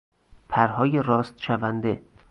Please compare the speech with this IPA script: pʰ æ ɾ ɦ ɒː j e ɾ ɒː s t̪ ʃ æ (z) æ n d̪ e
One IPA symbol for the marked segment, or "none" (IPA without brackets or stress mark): v